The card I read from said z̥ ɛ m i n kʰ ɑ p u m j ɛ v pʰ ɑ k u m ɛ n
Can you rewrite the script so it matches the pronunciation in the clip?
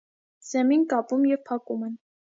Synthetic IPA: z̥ ɛ m i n k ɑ p u m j ɛ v pʰ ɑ k u m ɛ n

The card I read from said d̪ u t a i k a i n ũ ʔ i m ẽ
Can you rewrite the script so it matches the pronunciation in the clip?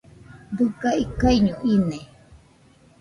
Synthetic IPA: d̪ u k a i k a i ɲ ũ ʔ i n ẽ

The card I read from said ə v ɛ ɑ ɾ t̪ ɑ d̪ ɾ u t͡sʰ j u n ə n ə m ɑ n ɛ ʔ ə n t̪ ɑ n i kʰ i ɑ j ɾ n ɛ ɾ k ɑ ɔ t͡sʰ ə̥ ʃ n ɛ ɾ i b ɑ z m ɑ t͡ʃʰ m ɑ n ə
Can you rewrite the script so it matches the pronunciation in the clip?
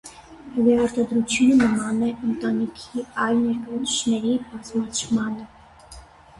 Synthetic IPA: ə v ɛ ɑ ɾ t̪ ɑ d̪ ɾ u t͡sʰ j u n ə n ə m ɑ n ɛ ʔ ə n t̪ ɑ n i kʰ i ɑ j l n ɛ ɾ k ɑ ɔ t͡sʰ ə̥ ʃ n ɛ ɾ i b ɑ z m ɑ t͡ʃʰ m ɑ n ə

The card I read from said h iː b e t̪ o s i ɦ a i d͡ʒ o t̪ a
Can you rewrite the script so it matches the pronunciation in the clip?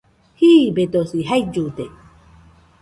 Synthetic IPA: h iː b e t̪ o s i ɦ a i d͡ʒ u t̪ e

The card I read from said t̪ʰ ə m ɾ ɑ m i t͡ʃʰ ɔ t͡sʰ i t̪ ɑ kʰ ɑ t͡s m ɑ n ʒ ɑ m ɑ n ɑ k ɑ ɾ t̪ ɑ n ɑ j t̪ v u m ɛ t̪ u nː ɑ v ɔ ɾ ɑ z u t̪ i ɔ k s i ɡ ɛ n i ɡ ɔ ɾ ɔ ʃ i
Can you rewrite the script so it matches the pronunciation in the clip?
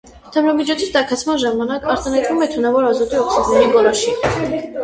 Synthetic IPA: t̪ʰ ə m ɾ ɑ m i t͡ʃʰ ɔ t͡sʰ i t̪ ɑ kʰ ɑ t͡sʰ m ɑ n ʒ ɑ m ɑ n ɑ k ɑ ɾ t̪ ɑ n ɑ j t̪ v u m ɛ t̪ʰ u n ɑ v ɔ ɾ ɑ z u t̪ i ɔ k s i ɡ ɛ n i ɡ ɔ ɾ ɔ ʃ i

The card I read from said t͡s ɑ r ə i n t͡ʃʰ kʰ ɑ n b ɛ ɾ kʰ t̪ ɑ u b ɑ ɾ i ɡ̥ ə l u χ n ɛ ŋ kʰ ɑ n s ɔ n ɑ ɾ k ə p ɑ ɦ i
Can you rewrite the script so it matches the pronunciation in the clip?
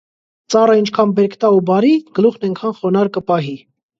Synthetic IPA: t͡s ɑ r ə i n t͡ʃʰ kʰ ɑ n b ɛ ɾ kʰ t̪ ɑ u b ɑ ɾ i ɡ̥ ə l u χ n ɛ ŋ kʰ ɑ n χ ɔ n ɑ ɾ k ə p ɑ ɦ i

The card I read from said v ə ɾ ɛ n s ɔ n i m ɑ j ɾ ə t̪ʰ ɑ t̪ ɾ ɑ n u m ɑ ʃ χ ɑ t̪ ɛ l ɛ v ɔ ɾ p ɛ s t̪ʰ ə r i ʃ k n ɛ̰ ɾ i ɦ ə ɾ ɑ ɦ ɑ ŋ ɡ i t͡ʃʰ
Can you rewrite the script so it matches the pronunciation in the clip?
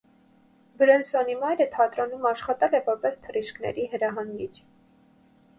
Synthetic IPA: b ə ɾ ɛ n s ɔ n i m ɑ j ɾ ə t̪ʰ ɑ t̪ ɾ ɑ n u m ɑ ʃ χ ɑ t̪ ɛ l ɛ v ɔ ɾ p ɛ s t̪ʰ ə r i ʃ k n ɛ̰ ɾ i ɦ ə ɾ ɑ ɦ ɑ ŋ ɡ i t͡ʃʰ

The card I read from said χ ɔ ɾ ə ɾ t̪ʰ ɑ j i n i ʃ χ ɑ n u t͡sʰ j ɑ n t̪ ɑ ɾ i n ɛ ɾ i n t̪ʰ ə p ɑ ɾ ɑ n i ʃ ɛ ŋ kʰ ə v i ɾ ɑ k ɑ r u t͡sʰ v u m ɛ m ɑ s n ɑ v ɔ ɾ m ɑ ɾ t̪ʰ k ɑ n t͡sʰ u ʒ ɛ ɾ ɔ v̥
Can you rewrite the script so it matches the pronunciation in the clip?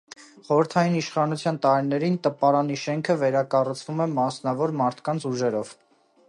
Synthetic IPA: χ ɔ ɾ ə ɾ t̪ʰ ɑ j i n i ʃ χ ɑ n u t͡sʰ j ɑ n t̪ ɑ ɾ i n ɛ ɾ i n t̪ ə p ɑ ɾ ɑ n i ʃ ɛ ŋ kʰ ə v ɛ ɾ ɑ k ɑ r u t͡sʰ v u m ɛ m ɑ s n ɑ v ɔ ɾ m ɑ ɾ t̪ʰ k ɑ n t͡sʰ u ʒ ɛ ɾ ɔ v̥

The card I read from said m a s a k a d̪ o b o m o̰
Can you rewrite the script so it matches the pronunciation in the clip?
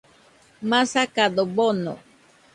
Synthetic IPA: m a s a k a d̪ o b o n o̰

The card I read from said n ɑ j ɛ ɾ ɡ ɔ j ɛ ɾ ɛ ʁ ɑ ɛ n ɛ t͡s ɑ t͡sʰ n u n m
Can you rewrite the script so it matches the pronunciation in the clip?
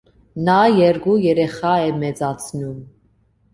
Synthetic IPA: n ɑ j ɛ ɾ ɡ u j ɛ ɾ ɛ χ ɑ ɛ m ɛ t͡s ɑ t͡sʰ n u m

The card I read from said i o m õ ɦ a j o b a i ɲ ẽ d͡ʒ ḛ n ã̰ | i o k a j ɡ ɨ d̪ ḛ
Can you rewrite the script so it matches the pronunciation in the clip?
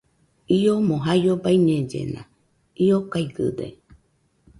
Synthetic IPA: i o m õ ɦ a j o b a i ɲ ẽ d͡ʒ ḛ n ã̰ | i o k a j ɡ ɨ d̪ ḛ

